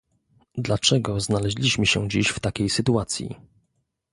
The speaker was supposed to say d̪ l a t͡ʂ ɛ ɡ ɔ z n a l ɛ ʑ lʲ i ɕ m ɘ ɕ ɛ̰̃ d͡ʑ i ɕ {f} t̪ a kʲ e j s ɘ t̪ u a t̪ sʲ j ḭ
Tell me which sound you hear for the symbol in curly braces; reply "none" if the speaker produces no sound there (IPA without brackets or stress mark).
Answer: f